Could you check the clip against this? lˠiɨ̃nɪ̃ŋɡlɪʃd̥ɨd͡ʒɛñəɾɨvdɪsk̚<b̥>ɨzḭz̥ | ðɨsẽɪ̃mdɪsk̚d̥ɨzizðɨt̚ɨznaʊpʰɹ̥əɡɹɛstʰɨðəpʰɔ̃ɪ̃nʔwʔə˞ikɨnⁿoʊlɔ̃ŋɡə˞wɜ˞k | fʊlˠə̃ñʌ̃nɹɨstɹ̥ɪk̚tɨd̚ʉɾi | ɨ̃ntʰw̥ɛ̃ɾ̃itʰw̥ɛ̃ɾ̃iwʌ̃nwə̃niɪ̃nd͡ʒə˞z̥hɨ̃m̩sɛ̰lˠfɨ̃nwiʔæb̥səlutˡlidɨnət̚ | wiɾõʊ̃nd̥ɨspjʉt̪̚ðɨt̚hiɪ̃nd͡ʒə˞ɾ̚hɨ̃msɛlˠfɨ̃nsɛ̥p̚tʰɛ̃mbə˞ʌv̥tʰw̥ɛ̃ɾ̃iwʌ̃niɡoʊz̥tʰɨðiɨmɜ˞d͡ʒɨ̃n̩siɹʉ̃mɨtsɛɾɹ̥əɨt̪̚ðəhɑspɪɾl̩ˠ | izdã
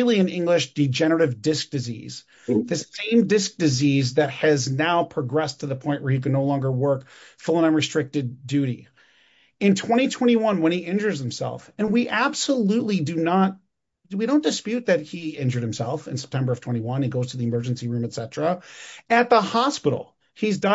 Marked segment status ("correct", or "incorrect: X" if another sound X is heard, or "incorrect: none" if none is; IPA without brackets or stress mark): incorrect: d̥